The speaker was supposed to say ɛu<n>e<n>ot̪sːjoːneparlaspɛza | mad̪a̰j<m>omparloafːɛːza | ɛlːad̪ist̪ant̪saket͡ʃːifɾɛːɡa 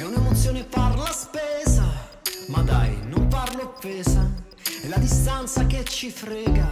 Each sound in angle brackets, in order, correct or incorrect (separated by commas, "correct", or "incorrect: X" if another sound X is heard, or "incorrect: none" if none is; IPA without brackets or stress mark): correct, incorrect: m, incorrect: n